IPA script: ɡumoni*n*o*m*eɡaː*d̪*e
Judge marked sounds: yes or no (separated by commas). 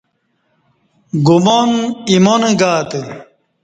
no, no, no